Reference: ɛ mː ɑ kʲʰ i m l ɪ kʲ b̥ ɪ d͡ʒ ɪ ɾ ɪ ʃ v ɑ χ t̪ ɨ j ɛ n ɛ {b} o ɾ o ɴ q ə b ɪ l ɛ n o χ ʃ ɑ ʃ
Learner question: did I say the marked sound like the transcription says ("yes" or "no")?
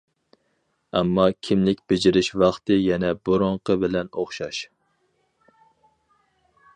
yes